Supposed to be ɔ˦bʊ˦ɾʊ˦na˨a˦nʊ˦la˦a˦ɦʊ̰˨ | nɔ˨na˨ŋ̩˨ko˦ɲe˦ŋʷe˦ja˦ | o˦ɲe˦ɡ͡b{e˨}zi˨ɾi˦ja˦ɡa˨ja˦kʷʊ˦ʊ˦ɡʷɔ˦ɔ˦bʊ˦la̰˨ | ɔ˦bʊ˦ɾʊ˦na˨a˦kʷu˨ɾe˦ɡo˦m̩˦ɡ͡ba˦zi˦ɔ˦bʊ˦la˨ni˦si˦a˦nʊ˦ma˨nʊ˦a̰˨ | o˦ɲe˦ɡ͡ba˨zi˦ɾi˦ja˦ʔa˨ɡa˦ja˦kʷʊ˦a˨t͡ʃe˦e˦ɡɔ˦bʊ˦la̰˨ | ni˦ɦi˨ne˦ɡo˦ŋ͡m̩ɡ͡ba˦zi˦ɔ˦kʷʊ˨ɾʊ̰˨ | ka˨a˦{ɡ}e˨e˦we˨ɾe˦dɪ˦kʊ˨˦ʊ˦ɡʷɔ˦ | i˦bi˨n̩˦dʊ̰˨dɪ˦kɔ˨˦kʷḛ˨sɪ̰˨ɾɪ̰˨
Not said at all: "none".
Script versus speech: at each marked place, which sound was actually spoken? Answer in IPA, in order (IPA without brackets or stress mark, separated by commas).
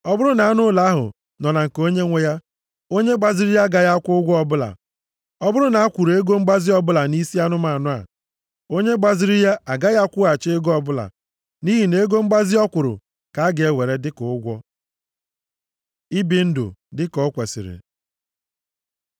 a˨, ɡ